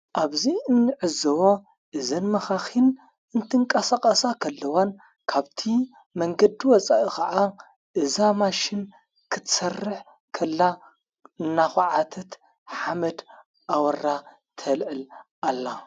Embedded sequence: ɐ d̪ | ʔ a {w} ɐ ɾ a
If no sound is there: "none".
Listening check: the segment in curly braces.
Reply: w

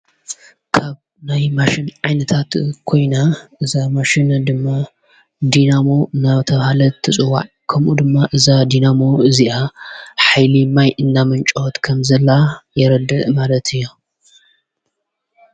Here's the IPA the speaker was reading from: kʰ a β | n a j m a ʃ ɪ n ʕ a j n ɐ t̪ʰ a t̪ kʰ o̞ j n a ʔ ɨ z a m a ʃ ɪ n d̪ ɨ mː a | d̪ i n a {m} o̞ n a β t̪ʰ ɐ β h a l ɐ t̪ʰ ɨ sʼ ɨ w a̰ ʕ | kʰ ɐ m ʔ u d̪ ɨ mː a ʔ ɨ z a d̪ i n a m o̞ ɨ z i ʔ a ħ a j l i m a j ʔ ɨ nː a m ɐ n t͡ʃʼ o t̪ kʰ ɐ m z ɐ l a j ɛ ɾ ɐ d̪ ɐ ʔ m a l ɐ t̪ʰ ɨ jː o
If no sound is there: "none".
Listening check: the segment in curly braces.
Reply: m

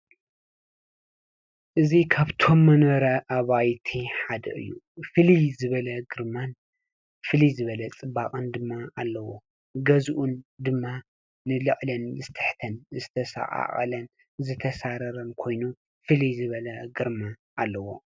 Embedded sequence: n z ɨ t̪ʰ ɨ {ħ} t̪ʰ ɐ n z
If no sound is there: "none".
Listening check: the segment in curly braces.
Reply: ħ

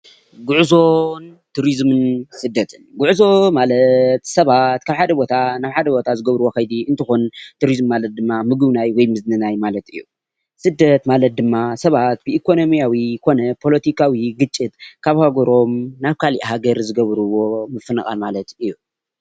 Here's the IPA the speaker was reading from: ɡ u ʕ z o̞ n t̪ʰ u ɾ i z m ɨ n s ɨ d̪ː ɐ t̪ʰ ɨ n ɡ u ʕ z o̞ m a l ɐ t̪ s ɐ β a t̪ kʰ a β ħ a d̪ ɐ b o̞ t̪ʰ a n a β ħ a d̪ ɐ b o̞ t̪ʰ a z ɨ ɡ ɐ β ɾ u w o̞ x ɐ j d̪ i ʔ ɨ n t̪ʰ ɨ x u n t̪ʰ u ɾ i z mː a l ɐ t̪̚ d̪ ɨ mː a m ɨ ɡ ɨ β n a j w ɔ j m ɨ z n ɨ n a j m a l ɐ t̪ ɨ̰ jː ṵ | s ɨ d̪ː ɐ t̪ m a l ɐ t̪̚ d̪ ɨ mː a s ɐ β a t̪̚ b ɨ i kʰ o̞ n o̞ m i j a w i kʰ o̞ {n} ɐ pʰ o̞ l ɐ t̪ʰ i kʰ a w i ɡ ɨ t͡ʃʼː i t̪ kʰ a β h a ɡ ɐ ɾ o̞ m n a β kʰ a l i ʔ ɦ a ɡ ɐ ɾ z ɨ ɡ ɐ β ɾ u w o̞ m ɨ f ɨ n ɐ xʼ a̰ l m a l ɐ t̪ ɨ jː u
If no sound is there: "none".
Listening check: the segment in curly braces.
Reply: n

